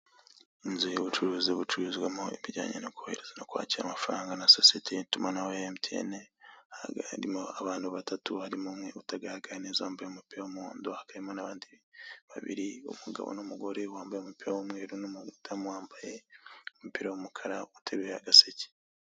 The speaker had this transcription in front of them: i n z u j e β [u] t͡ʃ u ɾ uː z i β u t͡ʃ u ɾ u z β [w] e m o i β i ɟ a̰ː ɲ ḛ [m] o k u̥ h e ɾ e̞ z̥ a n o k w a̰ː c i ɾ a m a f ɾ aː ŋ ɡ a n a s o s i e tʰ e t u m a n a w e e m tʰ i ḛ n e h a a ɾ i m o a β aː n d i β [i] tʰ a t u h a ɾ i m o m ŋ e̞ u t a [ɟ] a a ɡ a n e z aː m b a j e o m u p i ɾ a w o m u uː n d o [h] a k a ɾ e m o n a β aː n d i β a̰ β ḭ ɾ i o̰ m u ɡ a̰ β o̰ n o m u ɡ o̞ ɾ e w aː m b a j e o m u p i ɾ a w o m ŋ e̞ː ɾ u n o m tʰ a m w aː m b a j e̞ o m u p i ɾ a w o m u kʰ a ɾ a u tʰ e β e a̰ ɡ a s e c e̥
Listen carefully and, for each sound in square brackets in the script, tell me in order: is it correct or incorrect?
correct, correct, incorrect: n, incorrect: a, incorrect: ɡ, correct

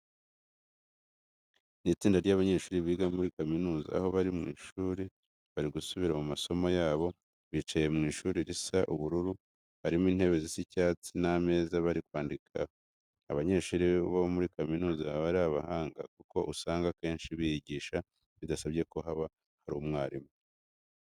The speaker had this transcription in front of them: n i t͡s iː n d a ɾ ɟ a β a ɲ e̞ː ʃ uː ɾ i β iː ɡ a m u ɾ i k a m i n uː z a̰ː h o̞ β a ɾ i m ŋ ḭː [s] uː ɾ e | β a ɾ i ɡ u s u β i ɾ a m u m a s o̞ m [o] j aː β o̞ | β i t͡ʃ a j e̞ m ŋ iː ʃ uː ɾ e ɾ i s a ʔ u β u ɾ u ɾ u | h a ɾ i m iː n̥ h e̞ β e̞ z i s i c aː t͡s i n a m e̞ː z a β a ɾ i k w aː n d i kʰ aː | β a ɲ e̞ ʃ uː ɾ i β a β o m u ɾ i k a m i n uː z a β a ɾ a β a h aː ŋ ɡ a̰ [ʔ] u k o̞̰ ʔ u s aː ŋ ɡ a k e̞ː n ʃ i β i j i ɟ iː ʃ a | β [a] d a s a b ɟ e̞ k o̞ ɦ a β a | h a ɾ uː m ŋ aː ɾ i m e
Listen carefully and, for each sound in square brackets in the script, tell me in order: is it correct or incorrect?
incorrect: ʃ, correct, incorrect: k, incorrect: i

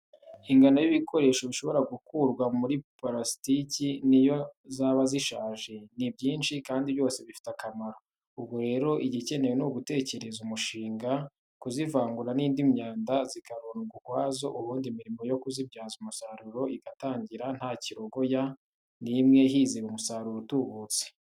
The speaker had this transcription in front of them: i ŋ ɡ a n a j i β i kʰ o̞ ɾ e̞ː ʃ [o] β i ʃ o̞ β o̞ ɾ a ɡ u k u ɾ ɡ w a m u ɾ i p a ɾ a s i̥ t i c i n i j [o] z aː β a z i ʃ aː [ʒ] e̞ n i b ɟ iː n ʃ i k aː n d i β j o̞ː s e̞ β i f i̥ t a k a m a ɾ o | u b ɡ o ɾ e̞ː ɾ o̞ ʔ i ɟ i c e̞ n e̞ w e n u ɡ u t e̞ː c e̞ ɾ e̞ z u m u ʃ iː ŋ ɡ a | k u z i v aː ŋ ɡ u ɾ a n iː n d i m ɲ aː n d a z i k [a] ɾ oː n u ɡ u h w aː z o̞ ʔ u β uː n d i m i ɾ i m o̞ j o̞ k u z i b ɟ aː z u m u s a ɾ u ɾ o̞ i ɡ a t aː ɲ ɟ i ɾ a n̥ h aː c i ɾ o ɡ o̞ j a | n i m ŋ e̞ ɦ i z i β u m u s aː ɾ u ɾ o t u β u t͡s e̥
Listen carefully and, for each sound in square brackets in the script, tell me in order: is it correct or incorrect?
correct, correct, correct, correct

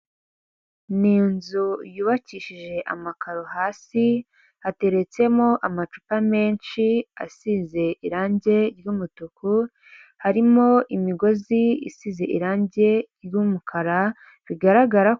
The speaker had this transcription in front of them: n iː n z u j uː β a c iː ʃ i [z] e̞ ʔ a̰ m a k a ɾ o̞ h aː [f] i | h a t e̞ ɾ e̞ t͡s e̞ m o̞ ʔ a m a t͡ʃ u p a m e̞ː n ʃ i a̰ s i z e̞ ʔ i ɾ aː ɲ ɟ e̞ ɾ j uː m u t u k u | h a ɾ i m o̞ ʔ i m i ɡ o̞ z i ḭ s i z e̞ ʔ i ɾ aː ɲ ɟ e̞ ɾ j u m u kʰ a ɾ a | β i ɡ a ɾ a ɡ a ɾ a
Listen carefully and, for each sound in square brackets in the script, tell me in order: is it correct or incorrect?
incorrect: ʒ, incorrect: s

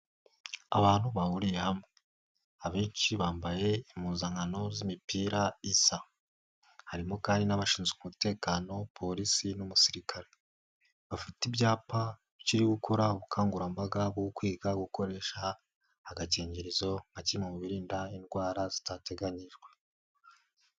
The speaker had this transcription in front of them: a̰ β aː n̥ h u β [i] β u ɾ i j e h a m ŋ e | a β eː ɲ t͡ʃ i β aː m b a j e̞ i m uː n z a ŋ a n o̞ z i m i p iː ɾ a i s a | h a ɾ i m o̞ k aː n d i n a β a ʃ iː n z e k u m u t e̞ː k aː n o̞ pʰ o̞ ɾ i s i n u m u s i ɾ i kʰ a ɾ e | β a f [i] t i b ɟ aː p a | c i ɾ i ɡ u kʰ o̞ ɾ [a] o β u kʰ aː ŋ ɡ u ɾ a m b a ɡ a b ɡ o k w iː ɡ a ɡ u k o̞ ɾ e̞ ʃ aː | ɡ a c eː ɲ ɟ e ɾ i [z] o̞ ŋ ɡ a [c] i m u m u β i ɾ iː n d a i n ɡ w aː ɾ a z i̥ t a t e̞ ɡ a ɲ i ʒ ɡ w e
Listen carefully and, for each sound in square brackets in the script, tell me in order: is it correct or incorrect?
incorrect: a, correct, correct, correct, correct

